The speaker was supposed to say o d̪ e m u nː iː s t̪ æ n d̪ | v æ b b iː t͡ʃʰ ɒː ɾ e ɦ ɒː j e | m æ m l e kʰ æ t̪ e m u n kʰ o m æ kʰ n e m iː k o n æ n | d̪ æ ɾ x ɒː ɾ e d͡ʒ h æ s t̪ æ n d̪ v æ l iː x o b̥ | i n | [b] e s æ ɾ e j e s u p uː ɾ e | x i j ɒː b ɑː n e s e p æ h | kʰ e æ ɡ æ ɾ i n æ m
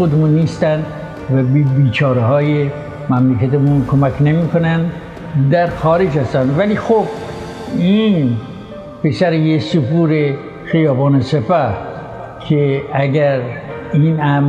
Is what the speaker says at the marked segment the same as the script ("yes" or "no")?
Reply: no